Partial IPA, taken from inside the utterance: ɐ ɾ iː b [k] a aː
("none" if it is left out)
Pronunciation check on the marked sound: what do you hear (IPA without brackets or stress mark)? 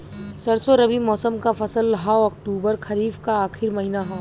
k